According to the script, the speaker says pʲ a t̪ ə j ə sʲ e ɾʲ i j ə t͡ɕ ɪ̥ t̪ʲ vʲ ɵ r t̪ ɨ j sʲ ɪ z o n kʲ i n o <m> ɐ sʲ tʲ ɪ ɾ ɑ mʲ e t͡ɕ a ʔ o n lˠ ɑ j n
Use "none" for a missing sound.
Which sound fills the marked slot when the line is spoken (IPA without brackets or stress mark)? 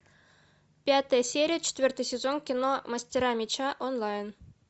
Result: m